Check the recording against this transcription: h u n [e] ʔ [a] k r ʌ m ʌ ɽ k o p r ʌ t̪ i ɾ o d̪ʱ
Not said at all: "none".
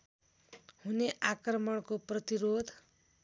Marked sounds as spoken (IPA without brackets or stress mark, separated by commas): e, a